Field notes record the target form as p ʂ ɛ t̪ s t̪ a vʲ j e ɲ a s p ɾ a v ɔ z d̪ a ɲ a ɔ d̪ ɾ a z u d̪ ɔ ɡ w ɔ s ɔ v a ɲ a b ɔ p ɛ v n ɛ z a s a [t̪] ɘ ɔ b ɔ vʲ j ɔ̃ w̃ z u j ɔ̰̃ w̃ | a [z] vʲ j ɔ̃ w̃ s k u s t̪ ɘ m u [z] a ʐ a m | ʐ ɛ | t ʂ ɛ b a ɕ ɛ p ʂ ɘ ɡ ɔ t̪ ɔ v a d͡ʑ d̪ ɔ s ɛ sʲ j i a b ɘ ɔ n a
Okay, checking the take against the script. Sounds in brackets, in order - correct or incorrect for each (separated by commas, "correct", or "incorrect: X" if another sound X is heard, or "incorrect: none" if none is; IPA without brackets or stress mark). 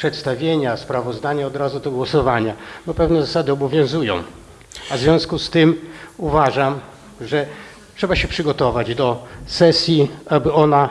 incorrect: d̪, correct, incorrect: v